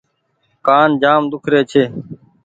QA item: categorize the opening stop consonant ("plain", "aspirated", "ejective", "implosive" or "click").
plain